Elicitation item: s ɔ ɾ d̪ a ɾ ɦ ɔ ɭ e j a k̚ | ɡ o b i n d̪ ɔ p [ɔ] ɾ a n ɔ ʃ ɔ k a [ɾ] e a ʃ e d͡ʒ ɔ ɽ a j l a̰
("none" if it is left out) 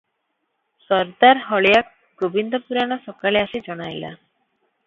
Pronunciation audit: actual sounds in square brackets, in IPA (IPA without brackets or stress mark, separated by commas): u, l